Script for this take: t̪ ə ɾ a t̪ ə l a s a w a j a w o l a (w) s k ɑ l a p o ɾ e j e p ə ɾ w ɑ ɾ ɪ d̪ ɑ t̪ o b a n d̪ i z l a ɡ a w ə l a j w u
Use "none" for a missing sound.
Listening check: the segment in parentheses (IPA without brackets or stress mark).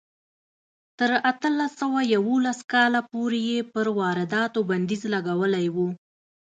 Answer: none